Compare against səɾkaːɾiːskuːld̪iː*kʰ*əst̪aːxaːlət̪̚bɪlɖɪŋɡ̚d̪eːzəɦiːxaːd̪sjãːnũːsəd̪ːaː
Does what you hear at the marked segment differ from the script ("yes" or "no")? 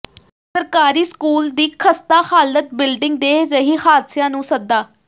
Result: no